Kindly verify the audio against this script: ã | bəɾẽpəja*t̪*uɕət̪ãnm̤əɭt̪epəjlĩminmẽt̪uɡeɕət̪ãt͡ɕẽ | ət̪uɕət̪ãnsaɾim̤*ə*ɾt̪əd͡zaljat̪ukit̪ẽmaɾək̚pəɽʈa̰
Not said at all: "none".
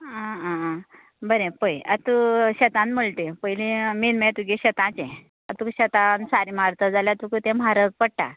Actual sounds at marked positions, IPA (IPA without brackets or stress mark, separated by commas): t̪, a